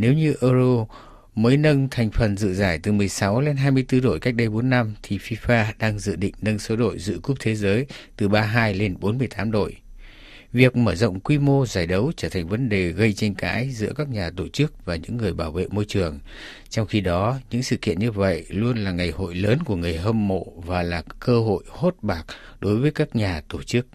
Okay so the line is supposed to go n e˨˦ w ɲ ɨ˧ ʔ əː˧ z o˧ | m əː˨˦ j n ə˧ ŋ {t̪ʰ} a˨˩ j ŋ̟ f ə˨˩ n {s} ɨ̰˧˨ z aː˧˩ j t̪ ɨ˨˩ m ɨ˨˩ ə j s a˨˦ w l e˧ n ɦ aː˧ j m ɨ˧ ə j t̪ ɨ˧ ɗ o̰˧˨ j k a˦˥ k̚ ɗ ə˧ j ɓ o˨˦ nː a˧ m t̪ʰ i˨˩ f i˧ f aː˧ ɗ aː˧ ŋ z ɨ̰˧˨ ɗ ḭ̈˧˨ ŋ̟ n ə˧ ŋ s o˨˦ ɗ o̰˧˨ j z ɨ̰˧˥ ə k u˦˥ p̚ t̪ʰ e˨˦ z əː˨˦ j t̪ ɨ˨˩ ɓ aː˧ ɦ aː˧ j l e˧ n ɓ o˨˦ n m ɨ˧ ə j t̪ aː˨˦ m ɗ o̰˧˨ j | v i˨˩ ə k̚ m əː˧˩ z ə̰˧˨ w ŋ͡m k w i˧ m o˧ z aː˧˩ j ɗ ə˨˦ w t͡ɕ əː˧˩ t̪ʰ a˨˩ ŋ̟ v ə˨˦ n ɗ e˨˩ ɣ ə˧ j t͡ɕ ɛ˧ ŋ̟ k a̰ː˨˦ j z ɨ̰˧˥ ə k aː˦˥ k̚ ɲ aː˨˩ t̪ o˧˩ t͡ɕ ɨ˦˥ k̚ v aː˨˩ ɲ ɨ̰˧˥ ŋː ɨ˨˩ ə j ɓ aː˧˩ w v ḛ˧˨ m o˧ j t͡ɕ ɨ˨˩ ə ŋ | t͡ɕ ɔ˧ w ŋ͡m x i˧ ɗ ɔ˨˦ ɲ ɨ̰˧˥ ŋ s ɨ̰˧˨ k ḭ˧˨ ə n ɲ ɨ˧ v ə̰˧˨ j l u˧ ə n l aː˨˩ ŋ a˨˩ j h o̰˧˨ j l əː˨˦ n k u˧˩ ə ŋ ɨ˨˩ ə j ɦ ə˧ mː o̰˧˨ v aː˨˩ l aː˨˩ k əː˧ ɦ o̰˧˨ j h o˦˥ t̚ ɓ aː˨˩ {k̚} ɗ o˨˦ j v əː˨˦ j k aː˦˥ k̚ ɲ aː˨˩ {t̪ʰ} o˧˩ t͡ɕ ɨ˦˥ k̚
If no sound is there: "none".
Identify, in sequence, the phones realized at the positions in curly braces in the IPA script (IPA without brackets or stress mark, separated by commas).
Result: t̪ʰ, z, k̚, t̪